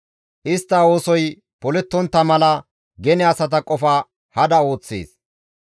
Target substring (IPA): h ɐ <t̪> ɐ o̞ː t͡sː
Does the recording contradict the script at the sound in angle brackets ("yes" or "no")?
yes